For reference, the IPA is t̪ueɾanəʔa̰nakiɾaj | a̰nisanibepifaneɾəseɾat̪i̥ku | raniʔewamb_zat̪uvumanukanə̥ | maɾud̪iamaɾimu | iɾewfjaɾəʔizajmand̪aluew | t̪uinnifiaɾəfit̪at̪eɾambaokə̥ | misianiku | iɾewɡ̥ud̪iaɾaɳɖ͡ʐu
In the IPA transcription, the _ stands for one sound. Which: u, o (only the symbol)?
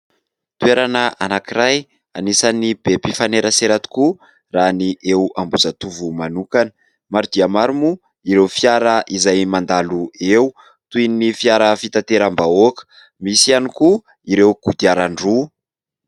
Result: u